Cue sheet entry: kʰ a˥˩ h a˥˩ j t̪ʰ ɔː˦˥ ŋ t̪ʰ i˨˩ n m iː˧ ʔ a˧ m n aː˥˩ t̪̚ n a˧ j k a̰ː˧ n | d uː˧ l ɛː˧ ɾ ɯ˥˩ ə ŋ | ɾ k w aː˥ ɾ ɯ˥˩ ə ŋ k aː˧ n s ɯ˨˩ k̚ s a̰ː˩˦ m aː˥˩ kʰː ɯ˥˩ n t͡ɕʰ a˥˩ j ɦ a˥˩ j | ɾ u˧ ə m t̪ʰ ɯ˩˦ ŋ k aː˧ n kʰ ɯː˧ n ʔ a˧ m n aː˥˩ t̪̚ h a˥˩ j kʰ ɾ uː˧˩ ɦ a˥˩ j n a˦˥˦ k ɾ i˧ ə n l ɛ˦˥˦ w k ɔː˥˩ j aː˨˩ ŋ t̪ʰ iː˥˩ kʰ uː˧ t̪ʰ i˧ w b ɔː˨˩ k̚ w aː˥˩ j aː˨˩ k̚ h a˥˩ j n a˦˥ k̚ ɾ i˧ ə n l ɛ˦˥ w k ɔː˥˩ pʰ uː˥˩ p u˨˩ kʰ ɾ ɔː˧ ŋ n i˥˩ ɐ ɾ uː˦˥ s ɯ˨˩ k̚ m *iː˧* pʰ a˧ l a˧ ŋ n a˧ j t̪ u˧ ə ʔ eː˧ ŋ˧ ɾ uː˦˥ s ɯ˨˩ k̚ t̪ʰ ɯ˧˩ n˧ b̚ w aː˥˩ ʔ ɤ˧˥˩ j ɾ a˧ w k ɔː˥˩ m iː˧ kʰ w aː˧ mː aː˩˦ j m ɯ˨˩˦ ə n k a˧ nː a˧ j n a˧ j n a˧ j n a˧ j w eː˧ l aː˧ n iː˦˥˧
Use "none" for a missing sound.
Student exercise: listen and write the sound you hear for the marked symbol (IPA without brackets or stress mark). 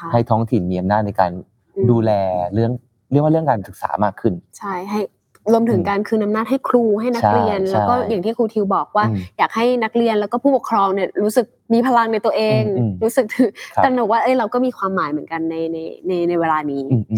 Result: iː˧